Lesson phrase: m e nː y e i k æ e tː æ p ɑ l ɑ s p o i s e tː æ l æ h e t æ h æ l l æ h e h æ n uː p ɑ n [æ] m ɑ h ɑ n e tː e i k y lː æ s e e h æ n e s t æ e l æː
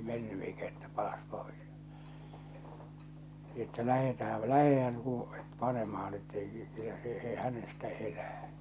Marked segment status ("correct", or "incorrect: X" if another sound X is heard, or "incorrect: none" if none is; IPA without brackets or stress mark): incorrect: e